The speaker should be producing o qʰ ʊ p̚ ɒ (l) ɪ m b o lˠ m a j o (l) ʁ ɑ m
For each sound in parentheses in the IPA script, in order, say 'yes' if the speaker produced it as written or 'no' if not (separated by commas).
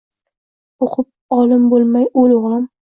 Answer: yes, yes